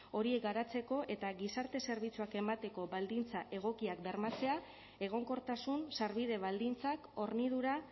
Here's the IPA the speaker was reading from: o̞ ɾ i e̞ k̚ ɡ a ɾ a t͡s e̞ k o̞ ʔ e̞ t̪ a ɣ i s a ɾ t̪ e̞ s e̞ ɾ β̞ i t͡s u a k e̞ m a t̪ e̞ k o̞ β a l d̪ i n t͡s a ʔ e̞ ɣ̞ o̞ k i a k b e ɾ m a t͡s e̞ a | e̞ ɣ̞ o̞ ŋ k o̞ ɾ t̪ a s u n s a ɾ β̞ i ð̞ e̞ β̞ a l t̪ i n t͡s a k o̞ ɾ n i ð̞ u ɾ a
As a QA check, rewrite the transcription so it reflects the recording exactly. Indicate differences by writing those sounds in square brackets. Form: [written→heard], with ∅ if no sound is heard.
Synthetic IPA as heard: o̞ ɾ i e̞ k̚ ɡ a ɾ a t͡s e̞ k o̞ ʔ e̞ t̪ a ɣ i s a ɾ t̪ e̞ s e̞ ɾ β̞ i t͡s u a k e̞ m a t̪ e̞ k o̞ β a l d̪ i n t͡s a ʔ e̞ ɣ̞ o̞ k i a k b e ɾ m a t͡s e̞ a | e̞ ɣ̞ o̞ ŋ k o̞ ɾ t̪ a s u n s a ɾ β̞ i ð̞ e̞ β̞ a l [t̪→d̪] i n t͡s a k o̞ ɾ n i ð̞ u ɾ a